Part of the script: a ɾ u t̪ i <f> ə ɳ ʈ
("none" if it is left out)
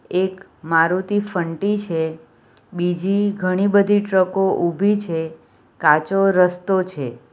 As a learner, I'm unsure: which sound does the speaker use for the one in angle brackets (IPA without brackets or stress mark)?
f